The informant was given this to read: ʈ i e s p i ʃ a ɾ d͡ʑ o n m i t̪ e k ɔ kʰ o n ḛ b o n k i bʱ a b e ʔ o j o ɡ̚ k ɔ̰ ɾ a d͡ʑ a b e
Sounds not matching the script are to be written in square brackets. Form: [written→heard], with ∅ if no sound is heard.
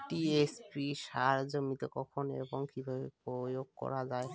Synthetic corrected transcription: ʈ i e s p i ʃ a ɾ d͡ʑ o [n→∅] m i t̪ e k ɔ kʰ o n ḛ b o [n→ŋ] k i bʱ a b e [ʔ→p] o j o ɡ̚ k ɔ̰ ɾ a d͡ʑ a [b→∅] e

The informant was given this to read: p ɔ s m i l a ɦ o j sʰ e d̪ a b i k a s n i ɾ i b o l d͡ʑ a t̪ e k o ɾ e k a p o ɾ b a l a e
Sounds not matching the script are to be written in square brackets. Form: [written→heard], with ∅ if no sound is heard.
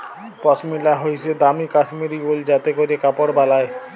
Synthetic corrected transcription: p ɔ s m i l a ɦ o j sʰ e d̪ a [b→m] i k a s [n→m] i ɾ i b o l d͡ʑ a t̪ e k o ɾ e k a p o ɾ b a l a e

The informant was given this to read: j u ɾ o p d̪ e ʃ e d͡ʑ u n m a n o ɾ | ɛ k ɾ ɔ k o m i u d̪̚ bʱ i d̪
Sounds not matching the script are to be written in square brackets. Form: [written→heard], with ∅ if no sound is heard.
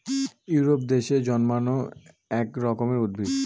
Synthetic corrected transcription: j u ɾ o p d̪ e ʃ e d͡ʑ [u→ɔ] n m a n o [ɾ→∅] | ɛ k ɾ ɔ k o m [i→e] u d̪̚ bʱ i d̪

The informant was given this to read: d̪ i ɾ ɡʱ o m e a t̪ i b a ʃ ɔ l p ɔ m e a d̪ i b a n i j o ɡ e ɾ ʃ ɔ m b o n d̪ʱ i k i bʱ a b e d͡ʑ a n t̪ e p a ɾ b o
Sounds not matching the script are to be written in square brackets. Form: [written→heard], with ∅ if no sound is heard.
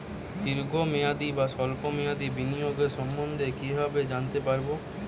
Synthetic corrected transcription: d̪ i ɾ ɡʱ o m e a [t̪→d̪] i b a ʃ ɔ l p [ɔ→o] m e a d̪ i b [a→i] n i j o ɡ e ɾ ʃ ɔ m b o n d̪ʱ [i→e] k i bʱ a b e d͡ʑ a n t̪ e p a ɾ b o

